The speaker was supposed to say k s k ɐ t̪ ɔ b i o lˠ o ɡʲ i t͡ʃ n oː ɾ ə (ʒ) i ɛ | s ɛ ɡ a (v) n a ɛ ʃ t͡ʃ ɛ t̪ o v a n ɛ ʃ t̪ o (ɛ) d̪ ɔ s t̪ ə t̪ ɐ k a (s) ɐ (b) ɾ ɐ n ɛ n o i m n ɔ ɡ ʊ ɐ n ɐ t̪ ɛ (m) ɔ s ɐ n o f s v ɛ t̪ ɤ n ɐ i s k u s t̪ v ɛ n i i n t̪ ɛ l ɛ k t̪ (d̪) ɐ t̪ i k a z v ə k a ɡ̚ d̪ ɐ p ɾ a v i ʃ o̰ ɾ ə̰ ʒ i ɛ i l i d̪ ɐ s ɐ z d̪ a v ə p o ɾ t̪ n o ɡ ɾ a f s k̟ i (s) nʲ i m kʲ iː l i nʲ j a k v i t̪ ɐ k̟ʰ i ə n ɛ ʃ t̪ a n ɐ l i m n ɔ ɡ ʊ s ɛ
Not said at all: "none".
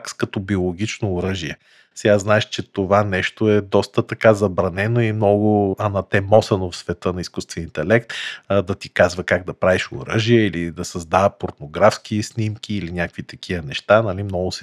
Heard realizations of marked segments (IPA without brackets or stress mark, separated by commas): ʒ, z, ɛ, z, b, m, d̪, s